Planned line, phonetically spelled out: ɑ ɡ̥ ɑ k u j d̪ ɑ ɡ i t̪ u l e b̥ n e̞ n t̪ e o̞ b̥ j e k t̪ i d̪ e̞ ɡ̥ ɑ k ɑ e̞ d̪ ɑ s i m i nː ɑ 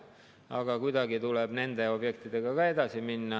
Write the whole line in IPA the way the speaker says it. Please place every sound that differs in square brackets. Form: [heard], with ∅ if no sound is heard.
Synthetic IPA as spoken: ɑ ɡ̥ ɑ k u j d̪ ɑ ɡ i t̪ u l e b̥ n e̞ n [d̪] e o̞ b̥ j e k t̪ i d̪ e̞ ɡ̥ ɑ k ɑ e̞ d̪ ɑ s i m i nː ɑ